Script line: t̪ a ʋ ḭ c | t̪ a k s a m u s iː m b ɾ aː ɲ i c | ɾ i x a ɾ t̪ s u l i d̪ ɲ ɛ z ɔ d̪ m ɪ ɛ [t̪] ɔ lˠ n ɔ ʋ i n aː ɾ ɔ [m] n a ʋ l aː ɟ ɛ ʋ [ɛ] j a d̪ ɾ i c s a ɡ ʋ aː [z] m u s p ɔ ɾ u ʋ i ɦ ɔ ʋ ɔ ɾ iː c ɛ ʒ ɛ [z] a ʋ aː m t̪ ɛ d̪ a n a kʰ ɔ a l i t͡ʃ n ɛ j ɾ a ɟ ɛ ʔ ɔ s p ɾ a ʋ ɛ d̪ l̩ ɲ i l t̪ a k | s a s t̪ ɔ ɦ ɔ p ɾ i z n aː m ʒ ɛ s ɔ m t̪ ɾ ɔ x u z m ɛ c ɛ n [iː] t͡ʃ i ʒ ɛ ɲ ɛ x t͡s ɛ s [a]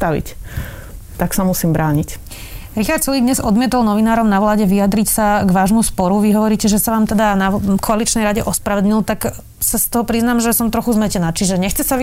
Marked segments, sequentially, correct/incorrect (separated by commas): correct, correct, incorrect, incorrect, incorrect, incorrect, correct